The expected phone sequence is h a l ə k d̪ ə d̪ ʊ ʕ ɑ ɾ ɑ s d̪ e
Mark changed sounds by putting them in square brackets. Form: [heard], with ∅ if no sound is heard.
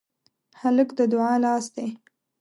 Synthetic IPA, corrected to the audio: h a l ə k d̪ ə d̪ ʊ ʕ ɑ [l] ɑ s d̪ e